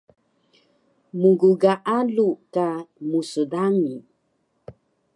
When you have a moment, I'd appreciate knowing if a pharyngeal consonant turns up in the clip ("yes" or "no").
no